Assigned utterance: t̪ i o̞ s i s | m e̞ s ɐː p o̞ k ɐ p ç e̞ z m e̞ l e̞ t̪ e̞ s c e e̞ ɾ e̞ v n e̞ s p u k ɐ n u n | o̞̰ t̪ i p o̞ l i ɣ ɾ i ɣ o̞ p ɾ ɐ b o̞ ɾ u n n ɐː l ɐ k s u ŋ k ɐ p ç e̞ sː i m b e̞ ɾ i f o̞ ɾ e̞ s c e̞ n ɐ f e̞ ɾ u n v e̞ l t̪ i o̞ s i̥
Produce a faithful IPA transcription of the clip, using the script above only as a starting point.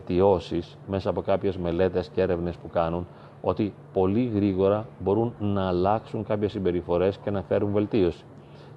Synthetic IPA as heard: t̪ i o̞ s i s | m e̞ s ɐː p o̞ k ɐ p ç e̞ z m e̞ l e̞ t̪ e̞ s c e e̞ ɾ e̞ v n e̞ s p u k ɐ n u n | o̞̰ t̪ i p o̞ l i ɣ ɾ i ɣ o̞ ɾ ɐ b o̞ ɾ u n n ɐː l ɐ k s u ŋ k ɐ p ç e̞ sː i m b e̞ ɾ i f o̞ ɾ e̞ s c e̞ n ɐ f e̞ ɾ u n v e̞ l t̪ i o̞ s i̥